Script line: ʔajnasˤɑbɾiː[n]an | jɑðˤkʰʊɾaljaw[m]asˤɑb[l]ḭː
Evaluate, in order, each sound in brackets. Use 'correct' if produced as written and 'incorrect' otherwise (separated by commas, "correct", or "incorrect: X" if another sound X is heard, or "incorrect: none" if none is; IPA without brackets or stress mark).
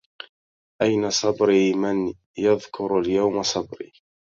incorrect: m, correct, incorrect: ɾ